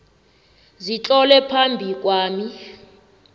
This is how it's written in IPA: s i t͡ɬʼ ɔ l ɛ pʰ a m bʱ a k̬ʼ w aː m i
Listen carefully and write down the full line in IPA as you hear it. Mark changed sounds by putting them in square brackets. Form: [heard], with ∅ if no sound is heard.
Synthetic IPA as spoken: [z] i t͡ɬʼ ɔ l ɛ pʰ a m bʱ [i] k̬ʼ w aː m i